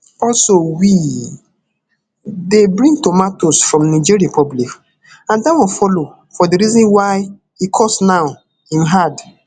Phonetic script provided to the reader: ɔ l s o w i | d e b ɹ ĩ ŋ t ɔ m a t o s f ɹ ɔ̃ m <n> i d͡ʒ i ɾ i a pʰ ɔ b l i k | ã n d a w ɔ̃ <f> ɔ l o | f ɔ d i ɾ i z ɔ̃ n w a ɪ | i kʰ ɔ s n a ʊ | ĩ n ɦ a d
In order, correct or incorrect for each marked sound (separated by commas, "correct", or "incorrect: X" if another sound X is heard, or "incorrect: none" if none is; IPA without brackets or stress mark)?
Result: correct, correct